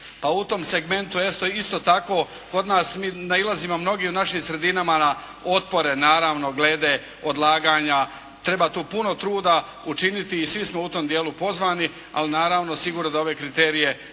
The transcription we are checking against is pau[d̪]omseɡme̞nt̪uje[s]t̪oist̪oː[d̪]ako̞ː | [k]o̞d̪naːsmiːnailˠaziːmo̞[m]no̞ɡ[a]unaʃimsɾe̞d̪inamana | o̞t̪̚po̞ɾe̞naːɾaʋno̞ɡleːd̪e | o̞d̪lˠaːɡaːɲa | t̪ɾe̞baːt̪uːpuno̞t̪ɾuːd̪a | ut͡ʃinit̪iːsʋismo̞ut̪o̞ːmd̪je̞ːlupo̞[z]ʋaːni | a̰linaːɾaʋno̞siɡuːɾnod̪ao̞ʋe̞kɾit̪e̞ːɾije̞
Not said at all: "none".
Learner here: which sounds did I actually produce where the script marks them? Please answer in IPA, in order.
t̪, s, t̪, k, m, i, z

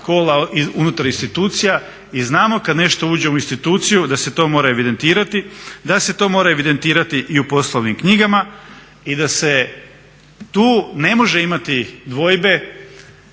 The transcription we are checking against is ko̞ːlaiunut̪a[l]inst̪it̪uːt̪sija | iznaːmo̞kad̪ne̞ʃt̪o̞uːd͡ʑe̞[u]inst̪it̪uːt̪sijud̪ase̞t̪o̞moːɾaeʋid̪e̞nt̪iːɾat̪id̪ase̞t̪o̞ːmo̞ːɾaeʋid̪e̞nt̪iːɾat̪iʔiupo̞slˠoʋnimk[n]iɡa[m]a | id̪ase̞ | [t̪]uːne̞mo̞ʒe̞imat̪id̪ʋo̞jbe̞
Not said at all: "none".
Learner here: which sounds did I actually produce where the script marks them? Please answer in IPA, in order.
ɾ, u, ɲ, m, t̪

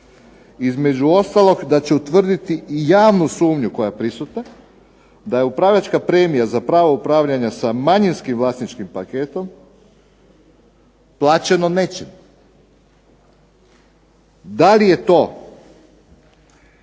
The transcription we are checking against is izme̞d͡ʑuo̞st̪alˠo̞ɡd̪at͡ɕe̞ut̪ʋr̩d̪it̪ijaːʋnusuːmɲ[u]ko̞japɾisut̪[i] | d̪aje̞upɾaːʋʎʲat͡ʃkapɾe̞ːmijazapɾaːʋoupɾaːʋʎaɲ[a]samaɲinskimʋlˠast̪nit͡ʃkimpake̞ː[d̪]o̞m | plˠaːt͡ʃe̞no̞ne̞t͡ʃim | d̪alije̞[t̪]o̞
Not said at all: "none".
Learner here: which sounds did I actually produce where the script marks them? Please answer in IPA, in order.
u, a, a, t̪, t̪

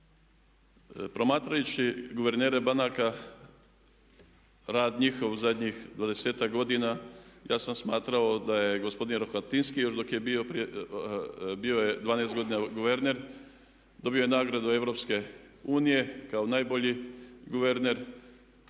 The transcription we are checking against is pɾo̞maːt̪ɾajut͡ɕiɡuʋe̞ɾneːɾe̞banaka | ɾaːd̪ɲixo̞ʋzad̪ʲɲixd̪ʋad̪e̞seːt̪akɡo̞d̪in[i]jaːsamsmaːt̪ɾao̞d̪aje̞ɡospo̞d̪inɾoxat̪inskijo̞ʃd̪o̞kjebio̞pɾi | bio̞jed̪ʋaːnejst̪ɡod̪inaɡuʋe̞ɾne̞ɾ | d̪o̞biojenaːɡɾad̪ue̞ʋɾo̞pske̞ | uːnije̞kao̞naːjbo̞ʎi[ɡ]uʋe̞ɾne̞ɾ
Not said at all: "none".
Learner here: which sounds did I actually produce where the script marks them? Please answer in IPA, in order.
a, ɡ

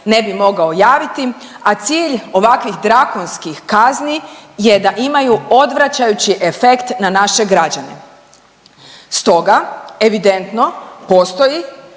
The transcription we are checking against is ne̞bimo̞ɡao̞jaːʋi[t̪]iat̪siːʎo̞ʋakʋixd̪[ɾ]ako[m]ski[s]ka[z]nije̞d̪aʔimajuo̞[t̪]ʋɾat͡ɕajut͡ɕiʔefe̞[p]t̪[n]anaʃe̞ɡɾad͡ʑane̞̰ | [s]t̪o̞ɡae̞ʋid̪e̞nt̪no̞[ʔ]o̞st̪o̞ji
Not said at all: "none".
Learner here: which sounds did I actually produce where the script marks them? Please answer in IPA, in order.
t̪, ɾ, n, x, z, d̪, k, n, s, p

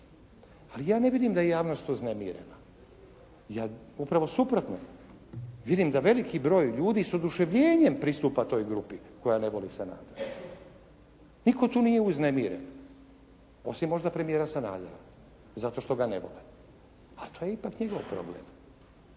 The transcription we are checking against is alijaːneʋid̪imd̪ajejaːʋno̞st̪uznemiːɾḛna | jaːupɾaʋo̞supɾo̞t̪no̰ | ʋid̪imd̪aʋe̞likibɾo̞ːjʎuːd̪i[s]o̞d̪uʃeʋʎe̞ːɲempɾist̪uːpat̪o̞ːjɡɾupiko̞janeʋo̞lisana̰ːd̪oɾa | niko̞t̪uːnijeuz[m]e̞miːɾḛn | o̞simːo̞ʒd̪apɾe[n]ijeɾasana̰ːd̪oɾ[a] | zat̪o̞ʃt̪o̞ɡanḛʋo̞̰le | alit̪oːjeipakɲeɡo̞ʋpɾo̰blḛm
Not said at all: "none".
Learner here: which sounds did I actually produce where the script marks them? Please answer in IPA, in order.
s, n, m, a

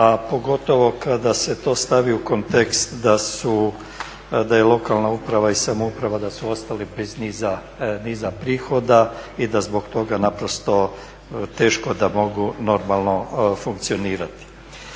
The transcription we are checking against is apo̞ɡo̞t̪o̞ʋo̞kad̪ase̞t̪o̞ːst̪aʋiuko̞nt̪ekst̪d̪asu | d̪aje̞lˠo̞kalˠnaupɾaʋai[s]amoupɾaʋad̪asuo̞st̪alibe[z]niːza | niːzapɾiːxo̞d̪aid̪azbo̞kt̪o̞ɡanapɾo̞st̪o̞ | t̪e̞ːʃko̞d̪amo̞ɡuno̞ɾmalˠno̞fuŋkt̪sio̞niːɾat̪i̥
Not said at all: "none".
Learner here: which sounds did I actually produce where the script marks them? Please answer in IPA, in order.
s, z

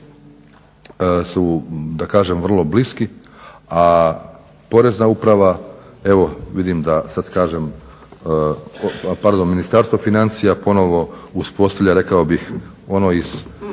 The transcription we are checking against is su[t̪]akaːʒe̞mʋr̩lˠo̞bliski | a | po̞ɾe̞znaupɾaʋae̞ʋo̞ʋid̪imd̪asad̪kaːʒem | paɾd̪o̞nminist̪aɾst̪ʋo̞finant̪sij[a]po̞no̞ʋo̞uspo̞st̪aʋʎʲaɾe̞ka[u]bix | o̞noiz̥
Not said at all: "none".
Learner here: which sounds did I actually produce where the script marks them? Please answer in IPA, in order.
d̪, a, o

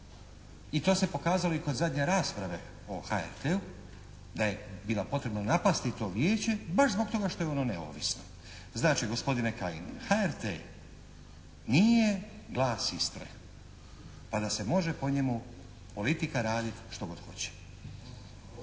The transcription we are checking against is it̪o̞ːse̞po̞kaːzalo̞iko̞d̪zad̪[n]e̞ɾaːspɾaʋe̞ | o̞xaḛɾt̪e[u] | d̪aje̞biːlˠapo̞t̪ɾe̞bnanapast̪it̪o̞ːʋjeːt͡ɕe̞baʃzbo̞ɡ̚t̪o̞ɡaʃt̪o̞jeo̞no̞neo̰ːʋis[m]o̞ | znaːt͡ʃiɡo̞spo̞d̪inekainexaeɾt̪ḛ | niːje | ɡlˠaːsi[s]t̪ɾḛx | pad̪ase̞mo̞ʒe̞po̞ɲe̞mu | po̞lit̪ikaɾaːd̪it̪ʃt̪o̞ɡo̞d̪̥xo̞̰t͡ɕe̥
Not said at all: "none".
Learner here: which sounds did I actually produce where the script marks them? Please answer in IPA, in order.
ɲ, u, n, s

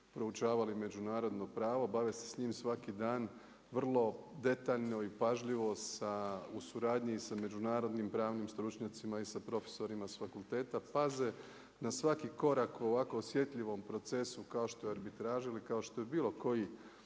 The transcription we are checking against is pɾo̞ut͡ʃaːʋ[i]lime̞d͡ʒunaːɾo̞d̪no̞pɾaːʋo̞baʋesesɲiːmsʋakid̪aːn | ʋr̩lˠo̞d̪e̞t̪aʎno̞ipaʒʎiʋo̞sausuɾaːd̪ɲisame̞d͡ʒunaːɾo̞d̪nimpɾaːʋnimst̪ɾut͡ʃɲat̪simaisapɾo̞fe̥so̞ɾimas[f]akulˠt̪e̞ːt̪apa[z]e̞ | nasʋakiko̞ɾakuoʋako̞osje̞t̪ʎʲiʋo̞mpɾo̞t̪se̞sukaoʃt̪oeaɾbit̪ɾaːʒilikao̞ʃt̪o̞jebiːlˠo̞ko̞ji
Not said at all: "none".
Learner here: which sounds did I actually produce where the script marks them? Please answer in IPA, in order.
a, f, z

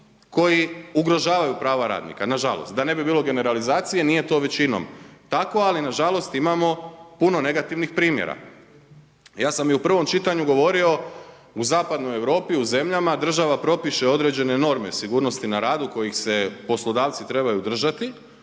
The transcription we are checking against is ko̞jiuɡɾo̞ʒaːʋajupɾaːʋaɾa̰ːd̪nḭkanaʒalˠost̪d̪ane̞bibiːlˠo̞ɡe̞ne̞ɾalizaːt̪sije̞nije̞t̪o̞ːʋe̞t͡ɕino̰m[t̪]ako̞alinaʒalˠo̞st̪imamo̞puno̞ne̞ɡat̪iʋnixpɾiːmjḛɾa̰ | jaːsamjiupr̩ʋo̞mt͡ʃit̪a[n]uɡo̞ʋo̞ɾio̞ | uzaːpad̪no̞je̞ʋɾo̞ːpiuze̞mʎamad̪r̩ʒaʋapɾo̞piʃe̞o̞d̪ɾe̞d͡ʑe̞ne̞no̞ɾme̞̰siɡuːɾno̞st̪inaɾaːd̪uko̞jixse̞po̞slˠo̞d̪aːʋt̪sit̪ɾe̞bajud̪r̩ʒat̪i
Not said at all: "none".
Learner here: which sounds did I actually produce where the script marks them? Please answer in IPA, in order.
t̪, ɲ

